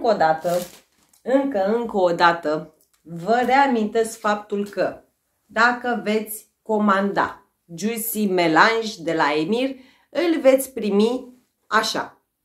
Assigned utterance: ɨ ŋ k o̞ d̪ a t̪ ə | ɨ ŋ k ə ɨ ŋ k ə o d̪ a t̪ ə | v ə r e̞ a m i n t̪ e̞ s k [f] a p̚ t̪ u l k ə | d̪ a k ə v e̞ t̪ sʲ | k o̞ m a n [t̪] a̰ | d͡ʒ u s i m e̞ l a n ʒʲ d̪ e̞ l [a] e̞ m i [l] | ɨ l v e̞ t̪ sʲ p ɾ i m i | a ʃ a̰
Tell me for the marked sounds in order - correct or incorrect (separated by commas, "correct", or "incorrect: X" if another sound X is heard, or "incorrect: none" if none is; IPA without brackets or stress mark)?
correct, incorrect: d̪, correct, incorrect: r